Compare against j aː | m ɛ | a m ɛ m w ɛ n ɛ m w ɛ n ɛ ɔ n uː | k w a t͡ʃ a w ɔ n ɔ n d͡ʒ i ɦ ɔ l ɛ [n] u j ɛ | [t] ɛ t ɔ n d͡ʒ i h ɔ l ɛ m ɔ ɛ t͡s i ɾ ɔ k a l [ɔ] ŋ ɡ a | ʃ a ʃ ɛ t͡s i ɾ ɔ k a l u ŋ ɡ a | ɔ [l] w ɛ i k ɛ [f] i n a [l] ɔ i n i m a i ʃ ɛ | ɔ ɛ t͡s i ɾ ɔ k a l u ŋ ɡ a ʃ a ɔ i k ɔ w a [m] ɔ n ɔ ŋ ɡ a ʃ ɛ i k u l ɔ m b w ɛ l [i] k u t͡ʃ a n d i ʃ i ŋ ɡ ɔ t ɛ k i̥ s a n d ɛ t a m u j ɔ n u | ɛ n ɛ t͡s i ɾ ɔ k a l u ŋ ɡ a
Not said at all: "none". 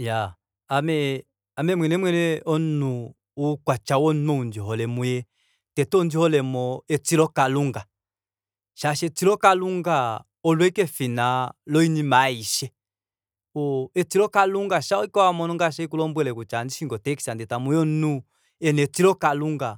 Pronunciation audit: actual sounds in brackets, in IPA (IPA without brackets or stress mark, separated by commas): m, t, u, l, f, l, m, ɛ